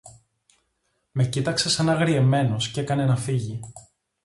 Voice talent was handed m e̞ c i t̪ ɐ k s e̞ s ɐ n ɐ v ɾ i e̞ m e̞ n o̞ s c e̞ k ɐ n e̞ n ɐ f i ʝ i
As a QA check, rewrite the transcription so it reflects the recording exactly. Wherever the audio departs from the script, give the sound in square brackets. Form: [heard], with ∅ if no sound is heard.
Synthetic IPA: m e̞ c i t̪ ɐ k s e̞ s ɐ n ɐ [ɣ] ɾ i e̞ m e̞ n o̞ s c e̞ k ɐ n e̞ n ɐ f i ʝ i

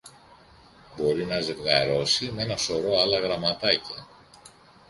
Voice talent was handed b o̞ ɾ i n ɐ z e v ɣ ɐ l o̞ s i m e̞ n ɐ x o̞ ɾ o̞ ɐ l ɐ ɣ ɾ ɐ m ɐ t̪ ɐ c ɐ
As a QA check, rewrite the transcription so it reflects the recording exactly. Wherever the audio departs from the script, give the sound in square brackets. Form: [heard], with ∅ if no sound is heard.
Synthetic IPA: b o̞ ɾ i n ɐ z e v ɣ ɐ [ɾ] o̞ s i m e̞ n ɐ [s] o̞ ɾ o̞ ɐ l ɐ ɣ ɾ ɐ m ɐ t̪ ɐ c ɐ

